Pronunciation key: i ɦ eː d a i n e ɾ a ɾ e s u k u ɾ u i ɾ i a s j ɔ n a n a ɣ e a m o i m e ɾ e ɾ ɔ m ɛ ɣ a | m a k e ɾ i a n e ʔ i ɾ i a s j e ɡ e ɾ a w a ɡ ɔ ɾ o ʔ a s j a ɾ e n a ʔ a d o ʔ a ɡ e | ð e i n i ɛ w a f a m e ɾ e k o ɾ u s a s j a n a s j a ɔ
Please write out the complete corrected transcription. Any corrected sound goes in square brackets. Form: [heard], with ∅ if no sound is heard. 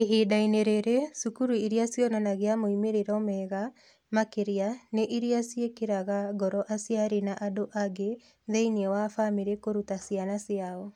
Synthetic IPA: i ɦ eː d a i n e ɾ [e] ɾ e s u k u ɾ u i ɾ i a s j ɔ n a n a ɣ e a m o i m e ɾ e ɾ ɔ m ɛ ɣ a | m a k e ɾ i a n e ʔ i ɾ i a s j e [k] e ɾ a [ɣ] a ɡ ɔ ɾ [ɔ] ʔ a s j a ɾ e n a ʔ a d o ʔ a ɡ e | ð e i n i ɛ w a f a m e ɾ e k o ɾ u [t] a s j a n a s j a ɔ